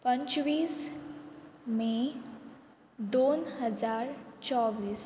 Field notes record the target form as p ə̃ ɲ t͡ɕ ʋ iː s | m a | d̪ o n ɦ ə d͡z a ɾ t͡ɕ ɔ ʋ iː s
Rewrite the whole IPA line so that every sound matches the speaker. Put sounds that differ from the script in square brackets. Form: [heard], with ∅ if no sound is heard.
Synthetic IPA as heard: p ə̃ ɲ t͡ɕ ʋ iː s | m [e] | d̪ o n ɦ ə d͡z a ɾ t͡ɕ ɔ ʋ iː s

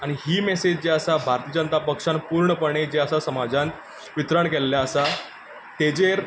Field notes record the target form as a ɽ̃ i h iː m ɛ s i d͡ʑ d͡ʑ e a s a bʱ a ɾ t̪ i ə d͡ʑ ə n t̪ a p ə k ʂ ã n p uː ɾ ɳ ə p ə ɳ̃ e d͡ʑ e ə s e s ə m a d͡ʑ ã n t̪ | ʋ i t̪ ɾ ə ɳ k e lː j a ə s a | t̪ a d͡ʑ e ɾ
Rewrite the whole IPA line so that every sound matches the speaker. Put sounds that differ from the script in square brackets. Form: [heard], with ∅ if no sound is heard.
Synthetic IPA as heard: a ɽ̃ i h iː m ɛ s [e] d͡ʑ d͡ʑ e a s a bʱ a ɾ t̪ i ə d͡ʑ ə n t̪ a p ə k ʂ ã n p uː ɾ ɳ ə p ə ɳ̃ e d͡ʑ e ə s [a] s ə m a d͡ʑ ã n t̪ | ʋ i t̪ ɾ ə ɳ k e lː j a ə s a | t̪ [e] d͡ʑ e ɾ

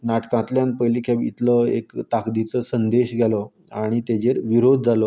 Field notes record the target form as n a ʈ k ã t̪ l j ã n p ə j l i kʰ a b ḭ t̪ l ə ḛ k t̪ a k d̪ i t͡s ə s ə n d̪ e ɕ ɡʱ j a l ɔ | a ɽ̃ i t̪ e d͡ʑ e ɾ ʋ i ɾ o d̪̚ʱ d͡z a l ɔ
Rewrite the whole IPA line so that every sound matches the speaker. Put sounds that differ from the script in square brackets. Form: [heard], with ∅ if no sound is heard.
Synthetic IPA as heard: n a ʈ k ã t̪ l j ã n p ə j l i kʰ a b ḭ t̪ l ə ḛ k t̪ a k d̪ i t͡s ə s ə n d̪ e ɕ ɡʱ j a l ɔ | a ɽ̃ i t̪ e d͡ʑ e ɾ ʋ i ɾ o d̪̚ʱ d͡z a l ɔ

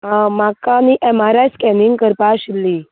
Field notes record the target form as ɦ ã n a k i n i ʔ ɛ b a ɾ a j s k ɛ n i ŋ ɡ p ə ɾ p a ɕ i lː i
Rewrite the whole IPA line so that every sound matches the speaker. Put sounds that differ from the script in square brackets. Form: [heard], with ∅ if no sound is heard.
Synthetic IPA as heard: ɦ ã [m] a k [a] n i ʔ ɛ [m] a ɾ a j s k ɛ n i ŋ ɡ [k] ə ɾ p a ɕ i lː i

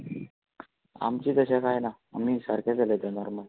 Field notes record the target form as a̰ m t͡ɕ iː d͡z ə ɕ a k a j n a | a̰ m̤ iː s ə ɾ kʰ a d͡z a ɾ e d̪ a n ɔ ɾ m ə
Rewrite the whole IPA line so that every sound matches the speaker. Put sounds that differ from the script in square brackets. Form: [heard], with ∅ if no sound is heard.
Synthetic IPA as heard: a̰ m t͡ɕ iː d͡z ə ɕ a k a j n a | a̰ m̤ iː s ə ɾ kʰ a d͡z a [l] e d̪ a n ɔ ɾ m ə

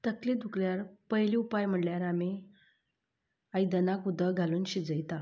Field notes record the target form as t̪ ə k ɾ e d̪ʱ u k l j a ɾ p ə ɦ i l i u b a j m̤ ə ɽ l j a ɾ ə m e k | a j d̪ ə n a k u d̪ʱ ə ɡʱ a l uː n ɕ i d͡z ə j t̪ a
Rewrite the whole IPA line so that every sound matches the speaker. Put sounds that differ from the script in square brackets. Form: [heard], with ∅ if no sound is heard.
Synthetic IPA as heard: t̪ ə k [l] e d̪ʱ u k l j a ɾ p ə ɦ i l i u [p] a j m̤ ə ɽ l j a ɾ [a] m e [∅] | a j d̪ ə n a k u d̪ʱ ə ɡʱ a l uː n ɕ i d͡z ə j t̪ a

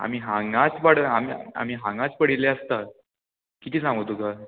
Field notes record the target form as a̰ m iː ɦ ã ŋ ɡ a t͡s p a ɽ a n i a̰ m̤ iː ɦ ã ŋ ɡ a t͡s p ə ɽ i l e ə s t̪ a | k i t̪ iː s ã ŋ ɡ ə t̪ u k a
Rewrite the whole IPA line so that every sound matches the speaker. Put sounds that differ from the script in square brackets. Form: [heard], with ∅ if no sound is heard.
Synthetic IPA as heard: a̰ m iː ɦ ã ŋ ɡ a t͡s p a ɽ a [m] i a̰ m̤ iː ɦ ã ŋ ɡ a t͡s p ə ɽ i l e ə s t̪ a | k i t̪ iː s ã ŋ ɡ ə t̪ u k a

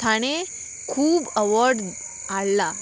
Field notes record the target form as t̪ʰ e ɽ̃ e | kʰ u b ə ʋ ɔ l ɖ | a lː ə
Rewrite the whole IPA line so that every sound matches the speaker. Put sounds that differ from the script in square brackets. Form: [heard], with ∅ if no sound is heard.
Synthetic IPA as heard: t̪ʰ [a] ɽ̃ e | kʰ [uː] b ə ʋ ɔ [ɾ] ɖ | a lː [a]

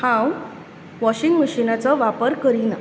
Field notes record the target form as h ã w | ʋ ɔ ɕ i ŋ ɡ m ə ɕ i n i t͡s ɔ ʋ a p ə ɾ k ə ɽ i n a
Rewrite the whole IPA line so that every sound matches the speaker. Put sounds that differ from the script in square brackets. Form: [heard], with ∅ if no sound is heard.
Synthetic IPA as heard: h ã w | ʋ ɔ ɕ i ŋ ɡ m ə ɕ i n [a] t͡s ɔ ʋ a p ə ɾ k ə [ɾ] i n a

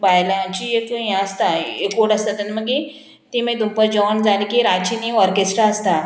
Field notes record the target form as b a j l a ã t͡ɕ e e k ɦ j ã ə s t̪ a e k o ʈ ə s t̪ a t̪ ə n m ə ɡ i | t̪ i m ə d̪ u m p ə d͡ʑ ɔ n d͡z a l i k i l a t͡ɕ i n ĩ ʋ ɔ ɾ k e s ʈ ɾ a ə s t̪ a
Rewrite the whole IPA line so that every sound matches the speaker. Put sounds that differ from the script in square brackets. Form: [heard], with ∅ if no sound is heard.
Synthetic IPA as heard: b a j l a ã t͡ɕ [i] e k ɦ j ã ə s t̪ a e k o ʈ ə s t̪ a t̪ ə n m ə ɡ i | t̪ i m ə d̪ u m p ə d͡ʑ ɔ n d͡z a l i k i [ɾ] a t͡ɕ i n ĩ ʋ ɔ ɾ k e s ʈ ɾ a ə s t̪ a

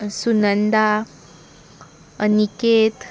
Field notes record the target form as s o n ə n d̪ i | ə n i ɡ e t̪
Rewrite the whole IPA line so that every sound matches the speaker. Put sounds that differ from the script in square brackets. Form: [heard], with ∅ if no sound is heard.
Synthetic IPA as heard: s [u] n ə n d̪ [a] | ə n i [k] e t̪

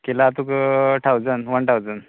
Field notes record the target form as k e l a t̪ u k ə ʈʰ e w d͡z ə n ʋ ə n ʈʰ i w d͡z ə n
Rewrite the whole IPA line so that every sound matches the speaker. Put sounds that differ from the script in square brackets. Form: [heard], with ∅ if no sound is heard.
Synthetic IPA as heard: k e l a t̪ u k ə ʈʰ [a] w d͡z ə n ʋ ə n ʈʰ [a] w d͡z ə n

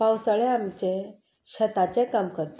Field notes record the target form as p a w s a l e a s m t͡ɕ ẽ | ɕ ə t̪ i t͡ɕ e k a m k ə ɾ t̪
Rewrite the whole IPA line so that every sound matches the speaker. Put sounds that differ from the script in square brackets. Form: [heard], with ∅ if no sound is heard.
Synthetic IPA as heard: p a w s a [ɭ] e a [∅] m t͡ɕ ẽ | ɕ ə t̪ [a] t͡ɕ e k a m k ə ɾ t̪

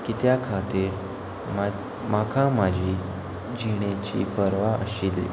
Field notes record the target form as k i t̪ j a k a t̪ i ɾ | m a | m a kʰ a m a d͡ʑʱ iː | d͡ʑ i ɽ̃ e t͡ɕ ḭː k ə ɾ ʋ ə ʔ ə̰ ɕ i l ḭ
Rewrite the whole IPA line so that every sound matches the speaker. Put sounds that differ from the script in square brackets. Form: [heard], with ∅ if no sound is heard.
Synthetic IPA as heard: k i t̪ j a [kʰ] a t̪ i ɾ | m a | m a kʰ a m a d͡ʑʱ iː | d͡ʑ i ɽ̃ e t͡ɕ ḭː [p] ə ɾ ʋ [a] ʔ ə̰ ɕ i l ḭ

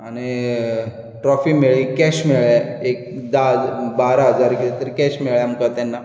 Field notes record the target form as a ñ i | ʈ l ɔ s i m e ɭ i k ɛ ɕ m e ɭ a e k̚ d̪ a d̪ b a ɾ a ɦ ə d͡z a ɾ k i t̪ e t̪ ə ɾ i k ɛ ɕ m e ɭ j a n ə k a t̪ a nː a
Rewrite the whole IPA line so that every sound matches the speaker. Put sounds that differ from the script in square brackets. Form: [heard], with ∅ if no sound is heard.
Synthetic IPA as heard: a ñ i | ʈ [ɾ] ɔ [f] i m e ɭ i k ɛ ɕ m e ɭ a e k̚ d̪ a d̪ b a ɾ a ɦ ə d͡z a ɾ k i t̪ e t̪ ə ɾ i k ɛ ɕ m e ɭ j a [m] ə k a t̪ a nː a

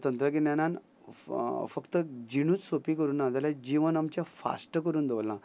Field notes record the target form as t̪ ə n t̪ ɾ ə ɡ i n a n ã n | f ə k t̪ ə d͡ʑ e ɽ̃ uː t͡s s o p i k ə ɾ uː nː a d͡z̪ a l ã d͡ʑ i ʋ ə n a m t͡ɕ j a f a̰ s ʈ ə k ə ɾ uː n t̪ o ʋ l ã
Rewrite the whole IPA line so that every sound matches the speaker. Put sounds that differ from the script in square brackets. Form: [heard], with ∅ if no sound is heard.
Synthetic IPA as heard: t̪ ə n t̪ ɾ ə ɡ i n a n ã n | f ə k t̪ ə d͡ʑ [i] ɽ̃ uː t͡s s o p i k ə ɾ uː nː a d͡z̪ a l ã d͡ʑ i ʋ ə n a m t͡ɕ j a f a̰ s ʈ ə k ə ɾ uː n [d̪] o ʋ l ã

